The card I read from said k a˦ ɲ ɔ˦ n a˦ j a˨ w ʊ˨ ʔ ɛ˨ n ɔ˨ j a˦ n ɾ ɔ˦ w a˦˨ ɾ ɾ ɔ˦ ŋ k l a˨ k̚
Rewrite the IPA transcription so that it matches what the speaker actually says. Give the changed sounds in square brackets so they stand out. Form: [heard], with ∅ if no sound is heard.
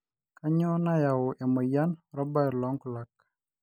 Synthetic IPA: k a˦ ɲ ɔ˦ n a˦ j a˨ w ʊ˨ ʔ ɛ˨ [m] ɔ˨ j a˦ n ɾ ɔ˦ [b] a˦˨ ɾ [l] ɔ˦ ŋ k l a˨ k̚